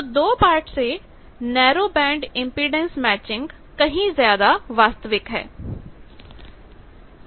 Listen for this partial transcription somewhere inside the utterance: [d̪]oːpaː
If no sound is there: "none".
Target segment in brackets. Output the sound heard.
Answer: d̪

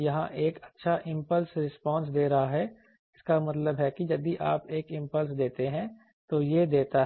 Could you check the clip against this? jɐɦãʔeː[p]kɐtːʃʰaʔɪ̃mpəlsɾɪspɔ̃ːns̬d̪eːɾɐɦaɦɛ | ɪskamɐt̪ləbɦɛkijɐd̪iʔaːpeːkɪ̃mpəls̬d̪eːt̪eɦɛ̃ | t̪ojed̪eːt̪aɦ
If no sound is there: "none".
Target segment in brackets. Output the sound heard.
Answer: none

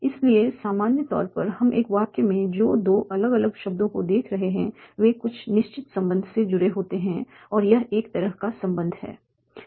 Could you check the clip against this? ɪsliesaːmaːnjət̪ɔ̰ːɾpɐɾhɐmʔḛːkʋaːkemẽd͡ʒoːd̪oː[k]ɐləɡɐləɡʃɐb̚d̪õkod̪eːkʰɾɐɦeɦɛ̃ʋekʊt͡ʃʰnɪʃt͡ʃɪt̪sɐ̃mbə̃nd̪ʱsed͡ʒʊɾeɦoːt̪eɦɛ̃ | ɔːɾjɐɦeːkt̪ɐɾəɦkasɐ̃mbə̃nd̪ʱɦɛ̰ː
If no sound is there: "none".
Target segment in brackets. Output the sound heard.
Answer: ʔ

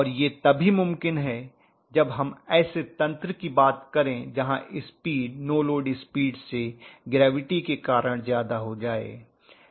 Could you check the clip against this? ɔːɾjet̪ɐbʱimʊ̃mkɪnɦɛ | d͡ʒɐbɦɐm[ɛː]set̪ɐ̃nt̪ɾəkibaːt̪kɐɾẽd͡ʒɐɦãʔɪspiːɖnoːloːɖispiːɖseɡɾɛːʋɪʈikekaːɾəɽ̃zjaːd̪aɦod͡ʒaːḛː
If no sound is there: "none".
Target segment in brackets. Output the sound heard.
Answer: ɛː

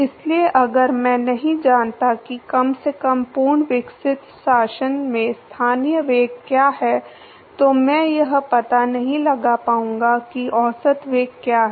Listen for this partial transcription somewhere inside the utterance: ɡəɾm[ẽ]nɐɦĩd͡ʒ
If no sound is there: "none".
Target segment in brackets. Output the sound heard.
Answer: ɛ̃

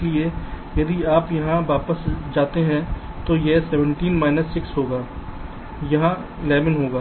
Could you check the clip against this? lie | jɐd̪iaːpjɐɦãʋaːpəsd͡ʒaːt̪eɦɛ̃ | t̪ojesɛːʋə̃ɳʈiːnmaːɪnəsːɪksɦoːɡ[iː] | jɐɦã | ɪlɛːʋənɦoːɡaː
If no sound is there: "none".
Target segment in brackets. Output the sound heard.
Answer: aː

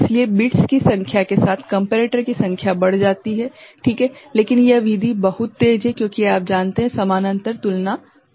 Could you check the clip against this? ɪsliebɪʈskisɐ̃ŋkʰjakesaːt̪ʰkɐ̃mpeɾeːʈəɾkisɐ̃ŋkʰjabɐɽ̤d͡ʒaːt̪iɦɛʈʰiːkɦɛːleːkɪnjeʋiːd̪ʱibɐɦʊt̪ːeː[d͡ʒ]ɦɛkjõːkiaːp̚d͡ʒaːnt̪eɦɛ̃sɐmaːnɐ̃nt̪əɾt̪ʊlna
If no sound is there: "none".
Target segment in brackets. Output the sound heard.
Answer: d͡ʒ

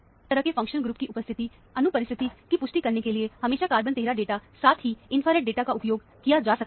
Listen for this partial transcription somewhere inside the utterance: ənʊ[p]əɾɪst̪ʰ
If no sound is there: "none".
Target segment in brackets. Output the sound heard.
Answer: p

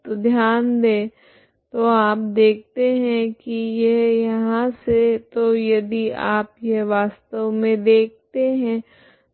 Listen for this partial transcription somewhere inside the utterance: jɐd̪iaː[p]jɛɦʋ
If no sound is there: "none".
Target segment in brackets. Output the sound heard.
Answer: p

